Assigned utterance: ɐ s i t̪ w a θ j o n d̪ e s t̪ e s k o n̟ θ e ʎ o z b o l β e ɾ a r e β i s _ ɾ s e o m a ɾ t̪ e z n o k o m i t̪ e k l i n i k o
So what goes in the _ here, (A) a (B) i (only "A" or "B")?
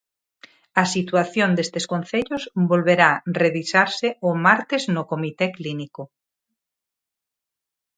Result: A